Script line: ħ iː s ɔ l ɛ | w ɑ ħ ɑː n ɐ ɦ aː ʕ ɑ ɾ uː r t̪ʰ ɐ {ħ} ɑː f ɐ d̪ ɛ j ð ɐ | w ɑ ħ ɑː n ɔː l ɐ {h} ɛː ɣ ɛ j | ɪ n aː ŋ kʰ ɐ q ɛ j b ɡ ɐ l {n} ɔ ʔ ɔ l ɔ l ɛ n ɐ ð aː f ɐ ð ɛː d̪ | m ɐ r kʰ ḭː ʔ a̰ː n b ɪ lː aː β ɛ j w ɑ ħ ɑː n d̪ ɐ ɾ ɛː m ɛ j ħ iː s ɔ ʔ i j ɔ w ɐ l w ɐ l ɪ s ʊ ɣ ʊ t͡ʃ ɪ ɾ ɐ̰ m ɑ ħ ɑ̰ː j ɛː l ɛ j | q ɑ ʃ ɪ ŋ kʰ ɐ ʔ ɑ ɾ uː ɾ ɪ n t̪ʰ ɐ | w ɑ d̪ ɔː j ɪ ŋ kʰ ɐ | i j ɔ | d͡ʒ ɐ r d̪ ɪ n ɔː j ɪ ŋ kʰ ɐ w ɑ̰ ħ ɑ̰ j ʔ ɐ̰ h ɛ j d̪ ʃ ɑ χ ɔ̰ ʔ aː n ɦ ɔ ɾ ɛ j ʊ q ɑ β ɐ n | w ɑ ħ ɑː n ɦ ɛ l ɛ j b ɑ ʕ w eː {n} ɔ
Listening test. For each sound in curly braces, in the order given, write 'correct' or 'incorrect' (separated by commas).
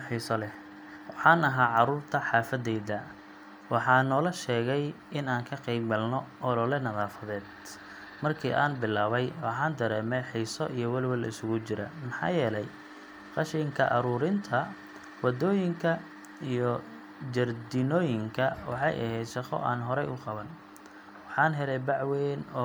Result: correct, incorrect, correct, correct